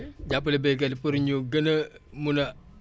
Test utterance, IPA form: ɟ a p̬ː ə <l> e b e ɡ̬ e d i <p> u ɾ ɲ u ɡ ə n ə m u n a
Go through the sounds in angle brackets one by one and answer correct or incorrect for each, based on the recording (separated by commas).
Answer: correct, correct